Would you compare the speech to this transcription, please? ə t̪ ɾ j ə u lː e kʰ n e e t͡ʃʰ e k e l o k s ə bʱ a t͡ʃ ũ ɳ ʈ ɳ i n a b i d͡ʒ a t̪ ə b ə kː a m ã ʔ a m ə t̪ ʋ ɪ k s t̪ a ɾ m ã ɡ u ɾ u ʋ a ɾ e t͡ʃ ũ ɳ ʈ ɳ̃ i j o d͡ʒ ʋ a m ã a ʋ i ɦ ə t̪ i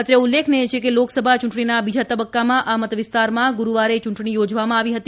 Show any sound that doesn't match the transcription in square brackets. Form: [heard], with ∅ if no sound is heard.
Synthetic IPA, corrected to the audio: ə t̪ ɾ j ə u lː e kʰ n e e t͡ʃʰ e k e l o k s ə bʱ a t͡ʃ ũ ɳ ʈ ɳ i n a b i d͡ʒ a t̪ ə b ə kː a m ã ʔ a m ə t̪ ʋ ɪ [∅] s t̪ a ɾ m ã ɡ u ɾ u ʋ a ɾ e t͡ʃ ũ ɳ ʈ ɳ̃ i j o d͡ʒ ʋ a m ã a ʋ i ɦ ə t̪ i